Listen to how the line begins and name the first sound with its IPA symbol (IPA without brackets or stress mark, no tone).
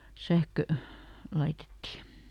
s